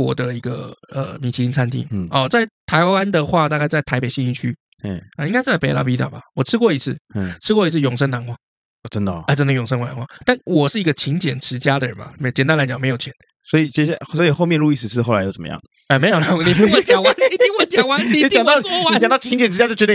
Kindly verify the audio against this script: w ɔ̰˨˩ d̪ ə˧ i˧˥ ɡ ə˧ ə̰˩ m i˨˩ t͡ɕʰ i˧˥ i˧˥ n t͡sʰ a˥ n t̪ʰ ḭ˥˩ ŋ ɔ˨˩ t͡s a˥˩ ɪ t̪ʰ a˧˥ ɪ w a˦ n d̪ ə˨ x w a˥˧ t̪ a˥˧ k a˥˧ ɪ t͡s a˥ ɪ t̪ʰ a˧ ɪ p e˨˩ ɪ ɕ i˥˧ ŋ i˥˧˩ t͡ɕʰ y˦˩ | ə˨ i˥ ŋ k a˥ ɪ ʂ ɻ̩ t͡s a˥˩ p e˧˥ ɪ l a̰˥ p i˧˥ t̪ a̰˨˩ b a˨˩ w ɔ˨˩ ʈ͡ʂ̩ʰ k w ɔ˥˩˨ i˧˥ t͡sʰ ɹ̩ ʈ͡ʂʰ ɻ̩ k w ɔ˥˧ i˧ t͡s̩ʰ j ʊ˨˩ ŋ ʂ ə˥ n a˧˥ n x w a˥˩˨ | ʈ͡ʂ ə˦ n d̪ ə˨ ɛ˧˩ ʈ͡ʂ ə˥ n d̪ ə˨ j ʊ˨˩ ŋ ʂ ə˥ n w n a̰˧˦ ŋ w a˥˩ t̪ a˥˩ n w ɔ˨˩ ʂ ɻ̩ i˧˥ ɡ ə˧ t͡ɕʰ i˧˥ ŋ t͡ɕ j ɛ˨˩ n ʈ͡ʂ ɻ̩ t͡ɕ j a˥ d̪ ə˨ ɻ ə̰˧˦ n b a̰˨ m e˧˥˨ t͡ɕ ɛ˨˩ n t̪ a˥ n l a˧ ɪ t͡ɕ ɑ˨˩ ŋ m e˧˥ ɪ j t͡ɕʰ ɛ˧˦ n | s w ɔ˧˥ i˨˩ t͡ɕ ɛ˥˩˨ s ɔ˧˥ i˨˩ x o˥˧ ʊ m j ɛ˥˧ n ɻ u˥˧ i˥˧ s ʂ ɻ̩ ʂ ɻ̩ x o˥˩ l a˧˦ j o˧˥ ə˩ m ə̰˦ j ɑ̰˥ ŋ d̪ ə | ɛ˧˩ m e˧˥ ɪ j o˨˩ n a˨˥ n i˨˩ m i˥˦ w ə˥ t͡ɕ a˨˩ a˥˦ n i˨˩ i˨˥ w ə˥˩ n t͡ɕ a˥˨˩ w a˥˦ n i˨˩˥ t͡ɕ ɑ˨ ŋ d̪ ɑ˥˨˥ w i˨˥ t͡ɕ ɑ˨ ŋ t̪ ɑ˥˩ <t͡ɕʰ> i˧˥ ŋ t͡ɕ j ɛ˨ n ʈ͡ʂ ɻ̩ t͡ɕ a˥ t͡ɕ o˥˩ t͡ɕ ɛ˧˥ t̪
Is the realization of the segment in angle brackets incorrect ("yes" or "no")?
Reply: no